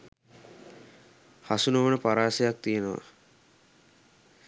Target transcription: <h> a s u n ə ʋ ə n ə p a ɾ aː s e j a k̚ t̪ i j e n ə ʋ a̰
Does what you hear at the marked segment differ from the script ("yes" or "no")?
no